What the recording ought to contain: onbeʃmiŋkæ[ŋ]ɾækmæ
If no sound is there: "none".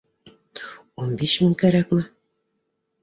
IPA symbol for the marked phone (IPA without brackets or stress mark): none